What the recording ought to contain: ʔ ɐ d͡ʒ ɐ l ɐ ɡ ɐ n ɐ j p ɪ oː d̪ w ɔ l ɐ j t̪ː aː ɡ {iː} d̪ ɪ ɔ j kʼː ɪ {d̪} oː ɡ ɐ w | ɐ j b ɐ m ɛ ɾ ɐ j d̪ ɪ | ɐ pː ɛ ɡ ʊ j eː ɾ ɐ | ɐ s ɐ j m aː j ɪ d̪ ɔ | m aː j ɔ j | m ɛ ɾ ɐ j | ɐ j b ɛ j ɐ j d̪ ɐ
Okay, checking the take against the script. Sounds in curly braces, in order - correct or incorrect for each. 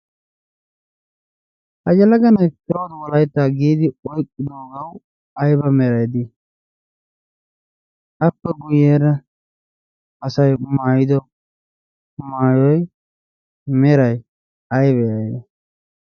correct, correct

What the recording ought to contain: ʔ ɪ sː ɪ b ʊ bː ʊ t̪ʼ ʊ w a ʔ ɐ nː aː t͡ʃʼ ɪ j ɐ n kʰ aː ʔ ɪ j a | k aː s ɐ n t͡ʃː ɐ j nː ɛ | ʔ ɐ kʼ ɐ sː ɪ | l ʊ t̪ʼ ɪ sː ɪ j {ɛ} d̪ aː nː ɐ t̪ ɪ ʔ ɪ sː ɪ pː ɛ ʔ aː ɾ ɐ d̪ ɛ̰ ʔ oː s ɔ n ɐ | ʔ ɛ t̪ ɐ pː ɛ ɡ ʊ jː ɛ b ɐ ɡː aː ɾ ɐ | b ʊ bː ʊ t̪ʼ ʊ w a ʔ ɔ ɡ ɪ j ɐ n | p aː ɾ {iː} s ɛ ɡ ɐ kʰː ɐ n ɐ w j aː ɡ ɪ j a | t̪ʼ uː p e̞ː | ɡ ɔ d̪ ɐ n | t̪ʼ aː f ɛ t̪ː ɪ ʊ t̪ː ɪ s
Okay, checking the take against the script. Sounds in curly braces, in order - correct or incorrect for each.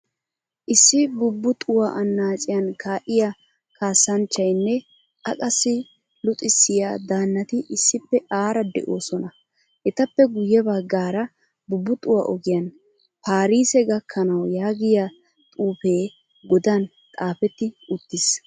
incorrect: a, correct

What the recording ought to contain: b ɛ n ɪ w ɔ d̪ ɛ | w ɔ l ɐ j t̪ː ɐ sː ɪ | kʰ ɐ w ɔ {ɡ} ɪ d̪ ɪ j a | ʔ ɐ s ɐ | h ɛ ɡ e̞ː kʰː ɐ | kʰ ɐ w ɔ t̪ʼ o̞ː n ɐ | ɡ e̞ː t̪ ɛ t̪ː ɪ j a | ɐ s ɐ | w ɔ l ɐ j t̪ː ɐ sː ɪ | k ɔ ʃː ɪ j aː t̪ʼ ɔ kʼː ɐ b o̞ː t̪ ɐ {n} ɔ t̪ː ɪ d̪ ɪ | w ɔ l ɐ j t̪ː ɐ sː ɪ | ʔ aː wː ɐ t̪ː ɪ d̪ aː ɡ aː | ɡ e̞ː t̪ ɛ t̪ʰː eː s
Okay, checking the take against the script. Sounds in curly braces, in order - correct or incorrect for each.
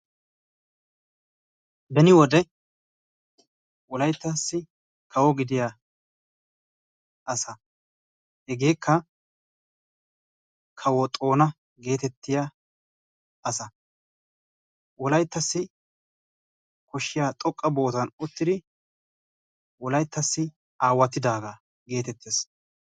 correct, correct

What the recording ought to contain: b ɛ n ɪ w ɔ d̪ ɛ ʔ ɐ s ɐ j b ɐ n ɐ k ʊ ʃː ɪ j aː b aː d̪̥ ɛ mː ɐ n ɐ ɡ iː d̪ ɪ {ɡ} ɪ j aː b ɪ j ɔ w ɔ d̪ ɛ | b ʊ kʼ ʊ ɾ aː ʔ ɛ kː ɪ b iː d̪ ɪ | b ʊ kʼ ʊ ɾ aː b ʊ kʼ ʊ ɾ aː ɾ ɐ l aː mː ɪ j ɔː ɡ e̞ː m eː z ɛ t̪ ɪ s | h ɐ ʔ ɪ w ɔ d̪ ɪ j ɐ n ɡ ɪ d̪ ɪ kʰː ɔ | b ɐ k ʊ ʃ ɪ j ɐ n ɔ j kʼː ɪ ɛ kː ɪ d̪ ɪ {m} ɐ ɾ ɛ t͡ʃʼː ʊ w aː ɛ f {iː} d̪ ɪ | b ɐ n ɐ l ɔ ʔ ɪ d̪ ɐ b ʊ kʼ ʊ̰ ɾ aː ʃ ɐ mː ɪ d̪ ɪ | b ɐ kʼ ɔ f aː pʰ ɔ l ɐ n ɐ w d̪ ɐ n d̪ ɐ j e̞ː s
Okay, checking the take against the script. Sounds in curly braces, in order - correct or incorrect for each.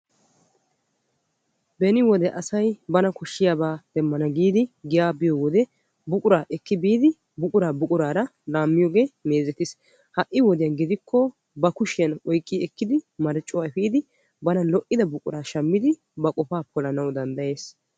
correct, correct, correct

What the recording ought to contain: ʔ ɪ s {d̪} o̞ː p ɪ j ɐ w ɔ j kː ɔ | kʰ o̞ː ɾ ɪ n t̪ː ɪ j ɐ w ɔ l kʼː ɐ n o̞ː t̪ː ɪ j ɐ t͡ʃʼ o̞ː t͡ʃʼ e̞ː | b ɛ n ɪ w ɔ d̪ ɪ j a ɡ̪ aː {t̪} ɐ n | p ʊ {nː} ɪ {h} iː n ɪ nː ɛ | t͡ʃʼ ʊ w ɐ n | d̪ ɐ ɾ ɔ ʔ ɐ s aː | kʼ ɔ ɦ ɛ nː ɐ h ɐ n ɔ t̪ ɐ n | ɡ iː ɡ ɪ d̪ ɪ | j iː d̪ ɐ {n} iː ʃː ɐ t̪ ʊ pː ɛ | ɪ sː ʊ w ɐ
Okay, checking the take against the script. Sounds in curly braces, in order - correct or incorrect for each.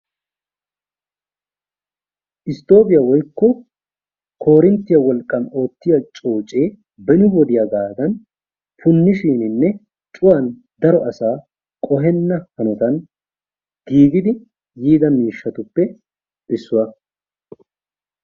incorrect: t̪, incorrect: d̪, correct, incorrect: ʃ, incorrect: m

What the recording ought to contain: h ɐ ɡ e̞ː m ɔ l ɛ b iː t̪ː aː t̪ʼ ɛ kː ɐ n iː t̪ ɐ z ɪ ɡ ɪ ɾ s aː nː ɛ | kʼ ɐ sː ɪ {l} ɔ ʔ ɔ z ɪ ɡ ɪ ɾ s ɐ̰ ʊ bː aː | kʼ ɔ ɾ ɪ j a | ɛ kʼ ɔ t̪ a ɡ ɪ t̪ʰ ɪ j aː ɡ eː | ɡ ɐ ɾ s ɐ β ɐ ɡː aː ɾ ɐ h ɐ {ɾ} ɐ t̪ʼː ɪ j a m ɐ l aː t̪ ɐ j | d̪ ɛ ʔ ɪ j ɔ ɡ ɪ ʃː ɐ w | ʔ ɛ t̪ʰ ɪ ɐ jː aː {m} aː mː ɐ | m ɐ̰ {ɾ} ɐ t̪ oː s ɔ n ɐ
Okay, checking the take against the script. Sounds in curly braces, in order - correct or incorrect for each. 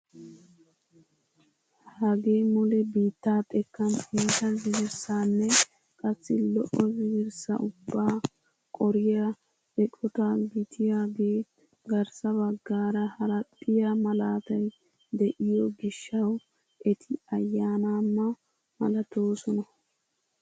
correct, correct, incorrect: n, incorrect: l

